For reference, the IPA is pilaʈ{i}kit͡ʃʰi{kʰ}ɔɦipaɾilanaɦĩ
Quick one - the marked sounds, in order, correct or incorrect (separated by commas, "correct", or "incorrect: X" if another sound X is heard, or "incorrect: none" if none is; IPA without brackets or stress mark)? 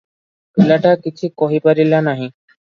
incorrect: a, incorrect: k